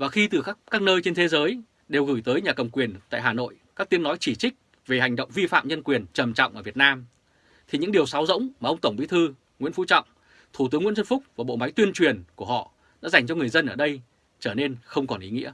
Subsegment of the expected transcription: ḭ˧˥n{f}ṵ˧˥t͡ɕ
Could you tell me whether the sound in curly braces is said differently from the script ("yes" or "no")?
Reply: no